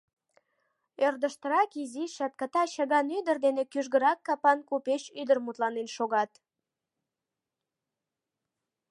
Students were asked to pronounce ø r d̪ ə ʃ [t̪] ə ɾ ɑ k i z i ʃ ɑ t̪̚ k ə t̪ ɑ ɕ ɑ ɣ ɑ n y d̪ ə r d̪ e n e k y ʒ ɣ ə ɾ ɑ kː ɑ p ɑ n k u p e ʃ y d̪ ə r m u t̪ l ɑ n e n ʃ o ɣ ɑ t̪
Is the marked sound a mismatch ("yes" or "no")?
no